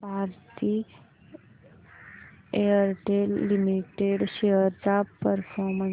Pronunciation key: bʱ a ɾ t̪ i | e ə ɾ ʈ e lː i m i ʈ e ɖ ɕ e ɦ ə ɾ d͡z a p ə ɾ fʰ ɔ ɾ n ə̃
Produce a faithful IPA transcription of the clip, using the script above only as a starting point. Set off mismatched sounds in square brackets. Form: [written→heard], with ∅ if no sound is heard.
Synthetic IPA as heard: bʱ a ɾ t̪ i | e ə ɾ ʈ e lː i m i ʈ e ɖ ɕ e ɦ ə ɾ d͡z a p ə ɾ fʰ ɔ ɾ [n→m] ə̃